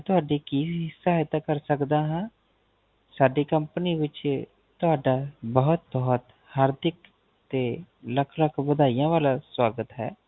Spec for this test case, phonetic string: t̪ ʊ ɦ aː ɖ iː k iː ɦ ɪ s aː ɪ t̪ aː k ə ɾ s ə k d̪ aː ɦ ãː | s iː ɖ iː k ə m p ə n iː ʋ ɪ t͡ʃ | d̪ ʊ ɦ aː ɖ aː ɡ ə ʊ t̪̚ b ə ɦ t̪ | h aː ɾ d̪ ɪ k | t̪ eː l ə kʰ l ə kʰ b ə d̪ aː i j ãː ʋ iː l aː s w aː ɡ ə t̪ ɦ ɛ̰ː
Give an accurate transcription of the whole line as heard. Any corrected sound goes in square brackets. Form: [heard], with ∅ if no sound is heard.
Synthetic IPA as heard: t̪ ʊ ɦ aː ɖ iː k iː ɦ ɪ s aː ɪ t̪ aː k ə ɾ s ə k d̪ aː ɦ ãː | s [aː] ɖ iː k ə m p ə n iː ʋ ɪ t͡ʃ | [t̪] ʊ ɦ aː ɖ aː [b] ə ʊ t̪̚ b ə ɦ t̪ | h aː ɾ d̪ ɪ k | t̪ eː l ə kʰ l ə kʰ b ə d̪ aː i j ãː ʋ [aː] l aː s w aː ɡ ə t̪ ɦ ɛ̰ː

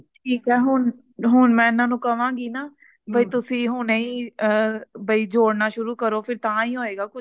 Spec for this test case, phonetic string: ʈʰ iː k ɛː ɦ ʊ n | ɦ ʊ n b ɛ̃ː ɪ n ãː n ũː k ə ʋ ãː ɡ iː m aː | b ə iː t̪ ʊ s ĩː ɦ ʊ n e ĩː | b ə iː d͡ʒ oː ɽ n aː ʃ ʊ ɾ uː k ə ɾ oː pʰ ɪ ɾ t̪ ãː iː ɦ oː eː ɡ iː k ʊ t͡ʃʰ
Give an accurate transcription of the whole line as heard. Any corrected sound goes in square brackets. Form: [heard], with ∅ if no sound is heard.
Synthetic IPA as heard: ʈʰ iː k ɛː ɦ ʊ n | ɦ ʊ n [m] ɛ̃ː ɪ n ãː n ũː k ə ʋ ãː ɡ iː [n] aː | b ə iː t̪ ʊ s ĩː ɦ ʊ n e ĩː | b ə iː d͡ʒ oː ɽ n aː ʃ ʊ ɾ uː k ə ɾ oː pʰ ɪ ɾ t̪ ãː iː ɦ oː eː ɡ [aː] k ʊ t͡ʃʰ

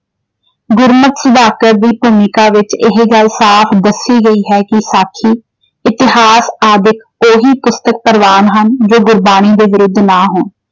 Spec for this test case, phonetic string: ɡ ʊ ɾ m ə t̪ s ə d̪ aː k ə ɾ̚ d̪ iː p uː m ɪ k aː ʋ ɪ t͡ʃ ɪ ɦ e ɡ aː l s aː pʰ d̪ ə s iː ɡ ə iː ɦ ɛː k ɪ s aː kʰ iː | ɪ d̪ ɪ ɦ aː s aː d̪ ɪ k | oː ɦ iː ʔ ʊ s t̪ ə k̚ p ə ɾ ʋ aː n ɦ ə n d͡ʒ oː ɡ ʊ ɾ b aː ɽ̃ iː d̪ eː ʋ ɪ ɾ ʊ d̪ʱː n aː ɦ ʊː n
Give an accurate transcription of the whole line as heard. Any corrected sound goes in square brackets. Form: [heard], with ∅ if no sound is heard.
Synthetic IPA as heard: ɡ ʊ ɾ m ə t̪ s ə d̪ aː k ə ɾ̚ d̪ iː p uː m ɪ k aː ʋ ɪ t͡ʃ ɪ ɦ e ɡ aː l s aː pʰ d̪ ə s iː ɡ ə iː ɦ ɛː k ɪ s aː kʰ iː | ɪ [t̪] ɪ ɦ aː s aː d̪ ɪ k | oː ɦ iː [p] ʊ s t̪ ə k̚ p ə ɾ ʋ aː n ɦ ə n d͡ʒ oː ɡ ʊ ɾ b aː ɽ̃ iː d̪ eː ʋ ɪ ɾ ʊ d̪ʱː n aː ɦ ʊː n

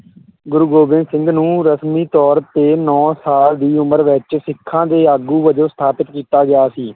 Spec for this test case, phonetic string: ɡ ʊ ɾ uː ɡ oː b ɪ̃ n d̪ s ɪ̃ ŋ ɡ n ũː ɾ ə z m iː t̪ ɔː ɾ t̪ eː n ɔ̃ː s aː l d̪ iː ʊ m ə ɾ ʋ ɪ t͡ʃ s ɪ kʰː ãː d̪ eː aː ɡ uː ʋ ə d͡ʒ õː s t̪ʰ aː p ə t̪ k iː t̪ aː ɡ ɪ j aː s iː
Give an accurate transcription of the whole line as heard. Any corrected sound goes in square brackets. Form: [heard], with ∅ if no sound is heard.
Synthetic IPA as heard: ɡ ʊ ɾ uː ɡ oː b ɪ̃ n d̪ s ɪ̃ ŋ ɡ n ũː ɾ ə [s] m iː t̪ ɔː ɾ t̪ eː n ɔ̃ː s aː l d̪ iː ʊ m ə ɾ ʋ ɪ t͡ʃ s ɪ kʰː ãː d̪ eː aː ɡ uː ʋ ə d͡ʒ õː s t̪ʰ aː p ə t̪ k iː t̪ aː ɡ ɪ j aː s iː

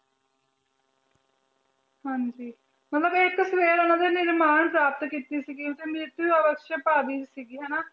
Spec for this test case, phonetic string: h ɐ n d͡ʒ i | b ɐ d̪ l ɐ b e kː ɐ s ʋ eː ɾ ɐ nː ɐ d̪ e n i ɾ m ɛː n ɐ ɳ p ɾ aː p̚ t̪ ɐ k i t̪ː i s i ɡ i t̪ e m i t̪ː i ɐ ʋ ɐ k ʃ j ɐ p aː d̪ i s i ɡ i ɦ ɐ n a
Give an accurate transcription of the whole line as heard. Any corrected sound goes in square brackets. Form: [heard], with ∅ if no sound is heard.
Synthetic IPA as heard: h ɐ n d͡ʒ i | [m] ɐ [t̪] l ɐ b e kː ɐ s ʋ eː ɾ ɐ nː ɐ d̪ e n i ɾ m [aː] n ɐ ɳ p ɾ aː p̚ t̪ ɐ k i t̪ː i s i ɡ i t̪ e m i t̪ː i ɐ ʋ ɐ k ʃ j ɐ p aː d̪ i s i ɡ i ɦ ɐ n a

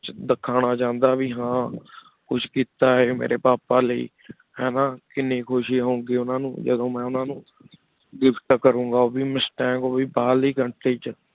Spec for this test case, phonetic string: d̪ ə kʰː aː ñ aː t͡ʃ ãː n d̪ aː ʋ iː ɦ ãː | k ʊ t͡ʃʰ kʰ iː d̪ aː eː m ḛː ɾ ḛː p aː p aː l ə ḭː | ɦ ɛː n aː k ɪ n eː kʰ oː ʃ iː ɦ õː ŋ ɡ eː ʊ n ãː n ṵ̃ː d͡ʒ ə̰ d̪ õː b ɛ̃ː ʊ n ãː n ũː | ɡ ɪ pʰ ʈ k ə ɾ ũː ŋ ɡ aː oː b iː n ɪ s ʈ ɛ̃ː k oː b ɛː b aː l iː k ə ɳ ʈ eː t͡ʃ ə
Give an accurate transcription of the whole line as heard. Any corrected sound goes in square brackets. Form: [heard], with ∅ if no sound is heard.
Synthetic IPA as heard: d̪ ə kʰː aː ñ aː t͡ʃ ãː n d̪ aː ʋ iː ɦ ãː | k ʊ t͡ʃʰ [k] iː [t̪] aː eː m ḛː ɾ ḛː p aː p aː l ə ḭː | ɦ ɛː n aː k ɪ n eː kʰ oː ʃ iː ɦ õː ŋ ɡ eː ʊ n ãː n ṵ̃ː d͡ʒ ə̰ d̪ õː [m] ɛ̃ː ʊ n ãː n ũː | ɡ ɪ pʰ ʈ k ə ɾ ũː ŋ ɡ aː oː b iː [m] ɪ s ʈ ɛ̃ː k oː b [iː] b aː l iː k ə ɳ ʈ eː t͡ʃ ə

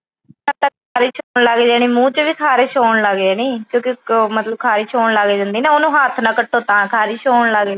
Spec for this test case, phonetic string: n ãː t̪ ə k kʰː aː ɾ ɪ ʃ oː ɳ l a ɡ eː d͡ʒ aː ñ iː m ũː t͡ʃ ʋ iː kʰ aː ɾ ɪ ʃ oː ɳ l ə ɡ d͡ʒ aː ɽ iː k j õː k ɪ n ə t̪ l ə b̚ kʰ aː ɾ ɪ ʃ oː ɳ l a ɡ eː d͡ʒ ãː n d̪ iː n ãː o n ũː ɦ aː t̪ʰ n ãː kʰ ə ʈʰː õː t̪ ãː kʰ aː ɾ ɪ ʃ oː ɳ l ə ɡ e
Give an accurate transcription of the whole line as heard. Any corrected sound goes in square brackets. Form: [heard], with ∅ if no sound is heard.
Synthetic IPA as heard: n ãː t̪ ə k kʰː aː ɾ ɪ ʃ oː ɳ l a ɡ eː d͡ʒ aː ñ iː m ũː t͡ʃ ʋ iː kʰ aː ɾ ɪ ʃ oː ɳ l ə ɡ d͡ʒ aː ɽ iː k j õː k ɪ [m] ə t̪ l ə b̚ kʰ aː ɾ ɪ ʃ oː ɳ l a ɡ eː d͡ʒ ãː n d̪ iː n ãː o n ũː ɦ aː t̪ʰ n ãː [k] ə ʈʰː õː t̪ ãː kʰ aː ɾ ɪ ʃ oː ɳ l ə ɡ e

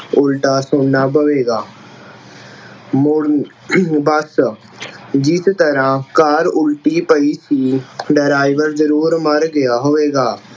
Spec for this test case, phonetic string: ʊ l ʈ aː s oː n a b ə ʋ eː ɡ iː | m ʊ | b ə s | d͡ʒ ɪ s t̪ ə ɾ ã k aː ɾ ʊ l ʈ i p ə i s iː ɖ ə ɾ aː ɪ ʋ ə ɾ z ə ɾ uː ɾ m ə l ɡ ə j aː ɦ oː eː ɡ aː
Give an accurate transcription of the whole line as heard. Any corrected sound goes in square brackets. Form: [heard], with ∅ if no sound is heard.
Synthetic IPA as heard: ʊ l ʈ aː s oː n a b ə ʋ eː ɡ [aː] | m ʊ | b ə s | d͡ʒ ɪ s t̪ ə ɾ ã k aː ɾ ʊ l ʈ i p ə i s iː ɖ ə ɾ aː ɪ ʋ ə ɾ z ə ɾ uː ɾ m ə [ɾ] ɡ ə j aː ɦ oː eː ɡ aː

